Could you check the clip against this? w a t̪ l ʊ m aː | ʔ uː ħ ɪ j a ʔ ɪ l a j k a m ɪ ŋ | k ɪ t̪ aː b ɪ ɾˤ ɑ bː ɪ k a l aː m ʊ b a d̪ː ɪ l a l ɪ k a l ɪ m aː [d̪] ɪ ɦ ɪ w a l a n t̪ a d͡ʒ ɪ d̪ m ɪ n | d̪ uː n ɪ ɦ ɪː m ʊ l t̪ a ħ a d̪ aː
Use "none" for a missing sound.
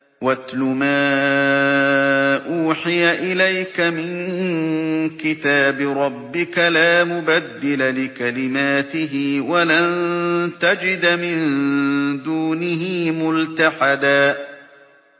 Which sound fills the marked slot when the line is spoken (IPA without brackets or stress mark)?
t̪